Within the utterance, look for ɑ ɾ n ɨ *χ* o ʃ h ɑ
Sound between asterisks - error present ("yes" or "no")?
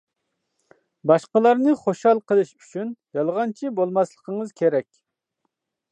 no